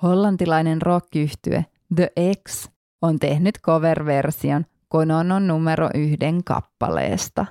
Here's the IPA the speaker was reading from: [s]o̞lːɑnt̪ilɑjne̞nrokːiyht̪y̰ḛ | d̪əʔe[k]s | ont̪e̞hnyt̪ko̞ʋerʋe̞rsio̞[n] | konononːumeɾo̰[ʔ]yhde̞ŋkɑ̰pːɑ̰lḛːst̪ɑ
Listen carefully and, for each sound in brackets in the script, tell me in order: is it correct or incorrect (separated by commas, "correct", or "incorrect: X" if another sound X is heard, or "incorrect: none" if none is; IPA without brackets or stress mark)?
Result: incorrect: h, correct, correct, correct